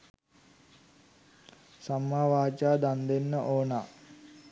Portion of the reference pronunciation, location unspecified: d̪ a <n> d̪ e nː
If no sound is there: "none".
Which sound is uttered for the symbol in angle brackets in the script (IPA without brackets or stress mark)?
n